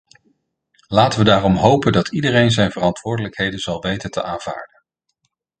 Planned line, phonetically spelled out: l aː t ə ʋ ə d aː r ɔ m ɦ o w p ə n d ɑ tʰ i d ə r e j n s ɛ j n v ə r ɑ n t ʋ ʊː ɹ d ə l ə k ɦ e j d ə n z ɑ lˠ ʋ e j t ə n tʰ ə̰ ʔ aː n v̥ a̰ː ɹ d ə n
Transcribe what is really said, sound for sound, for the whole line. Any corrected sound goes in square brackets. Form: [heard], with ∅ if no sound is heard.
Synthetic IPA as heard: l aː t ə ʋ ə d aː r ɔ m ɦ o w p ə n d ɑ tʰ i d ə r e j n [z] ɛ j n v ə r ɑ n t ʋ ʊː ɹ d ə l ə k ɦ e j d ə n z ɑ lˠ ʋ e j t ə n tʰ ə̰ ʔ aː n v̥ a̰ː ɹ d ə n